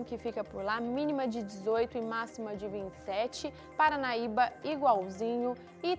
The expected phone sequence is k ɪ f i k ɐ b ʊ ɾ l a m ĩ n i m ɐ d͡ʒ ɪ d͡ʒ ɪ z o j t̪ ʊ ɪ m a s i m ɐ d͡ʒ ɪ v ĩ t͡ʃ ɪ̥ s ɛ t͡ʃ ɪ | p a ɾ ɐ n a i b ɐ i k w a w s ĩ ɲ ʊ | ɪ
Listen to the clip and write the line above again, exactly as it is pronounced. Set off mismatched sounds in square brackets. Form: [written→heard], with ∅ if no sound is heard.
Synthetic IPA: k ɪ f i k ɐ [b→p] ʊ ɾ l a m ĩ n i m ɐ d͡ʒ ɪ d͡ʒ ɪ z o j t̪ ʊ ɪ m a s i m ɐ d͡ʒ ɪ v ĩ t͡ʃ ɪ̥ s ɛ t͡ʃ ɪ | p a ɾ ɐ n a i b ɐ i [k→ɡ] w a w [s→z] ĩ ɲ ʊ | ɪ